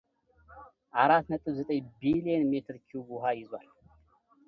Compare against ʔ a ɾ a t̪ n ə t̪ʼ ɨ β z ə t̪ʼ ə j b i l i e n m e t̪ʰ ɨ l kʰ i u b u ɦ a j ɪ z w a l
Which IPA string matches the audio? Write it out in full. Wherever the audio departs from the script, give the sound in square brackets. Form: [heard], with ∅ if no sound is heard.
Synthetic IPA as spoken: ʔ a ɾ a t̪ n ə t̪ʼ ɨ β z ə t̪ʼ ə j b i l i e n m e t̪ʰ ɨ [ɾ] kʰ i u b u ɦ a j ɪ z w a l